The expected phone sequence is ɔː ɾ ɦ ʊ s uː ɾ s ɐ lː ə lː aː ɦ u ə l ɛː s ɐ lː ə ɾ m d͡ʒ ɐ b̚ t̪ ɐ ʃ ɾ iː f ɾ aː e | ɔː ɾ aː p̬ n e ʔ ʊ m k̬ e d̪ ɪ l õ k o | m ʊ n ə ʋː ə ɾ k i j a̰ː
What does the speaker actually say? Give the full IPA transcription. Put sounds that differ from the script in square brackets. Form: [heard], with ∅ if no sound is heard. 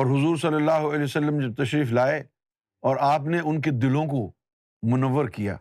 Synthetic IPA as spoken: ɔː ɾ ɦ ʊ [z] uː ɾ s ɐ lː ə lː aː ɦ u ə l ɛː s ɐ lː ə [∅] m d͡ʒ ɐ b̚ t̪ ɐ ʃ ɾ iː f [l] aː e | ɔː ɾ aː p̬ n e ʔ ʊ [n] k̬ e d̪ ɪ l õ k o | m ʊ n ə ʋː ə ɾ k i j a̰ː